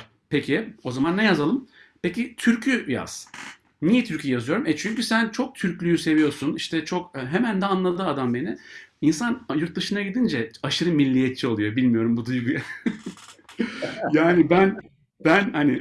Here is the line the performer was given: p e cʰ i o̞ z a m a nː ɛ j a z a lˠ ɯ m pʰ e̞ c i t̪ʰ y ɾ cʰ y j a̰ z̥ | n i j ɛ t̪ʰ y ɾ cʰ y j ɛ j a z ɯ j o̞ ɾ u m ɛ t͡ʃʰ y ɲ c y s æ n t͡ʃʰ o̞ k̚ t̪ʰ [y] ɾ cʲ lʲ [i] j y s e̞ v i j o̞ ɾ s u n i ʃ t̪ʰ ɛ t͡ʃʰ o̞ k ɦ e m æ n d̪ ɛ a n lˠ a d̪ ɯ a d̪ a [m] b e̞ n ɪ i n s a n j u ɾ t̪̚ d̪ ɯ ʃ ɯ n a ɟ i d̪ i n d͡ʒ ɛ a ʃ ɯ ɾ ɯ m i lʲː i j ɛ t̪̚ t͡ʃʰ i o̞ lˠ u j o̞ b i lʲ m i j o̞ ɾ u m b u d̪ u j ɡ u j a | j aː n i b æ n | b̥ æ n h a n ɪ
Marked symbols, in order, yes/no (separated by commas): yes, no, yes